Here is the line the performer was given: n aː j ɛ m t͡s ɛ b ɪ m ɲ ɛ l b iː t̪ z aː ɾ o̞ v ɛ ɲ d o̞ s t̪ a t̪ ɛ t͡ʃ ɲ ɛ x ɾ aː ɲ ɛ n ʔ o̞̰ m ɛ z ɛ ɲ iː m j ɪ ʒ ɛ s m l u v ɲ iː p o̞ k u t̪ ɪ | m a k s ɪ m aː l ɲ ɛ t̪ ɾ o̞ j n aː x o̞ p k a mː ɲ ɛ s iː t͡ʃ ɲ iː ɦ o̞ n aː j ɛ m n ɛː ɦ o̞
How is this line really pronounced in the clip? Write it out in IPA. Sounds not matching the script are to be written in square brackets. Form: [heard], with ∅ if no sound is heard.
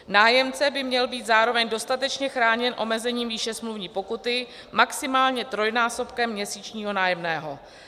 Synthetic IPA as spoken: n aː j ɛ m t͡s ɛ b ɪ m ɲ ɛ l b iː t̪ z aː ɾ o̞ v ɛ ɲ d o̞ s t̪ a t̪ ɛ t͡ʃ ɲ ɛ x ɾ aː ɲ ɛ n ʔ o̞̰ m ɛ z ɛ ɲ iː m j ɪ [ʃ] ɛ s m l u v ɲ iː p o̞ k u t̪ ɪ | m a k s ɪ m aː l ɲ ɛ t̪ ɾ o̞ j n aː [s] o̞ p k [ɛ] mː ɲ ɛ s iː t͡ʃ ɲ iː ɦ o̞ n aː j ɛ m n ɛː ɦ o̞